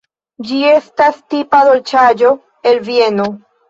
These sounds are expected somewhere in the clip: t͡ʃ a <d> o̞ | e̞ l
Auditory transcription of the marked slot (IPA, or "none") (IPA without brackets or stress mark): d͡ʒ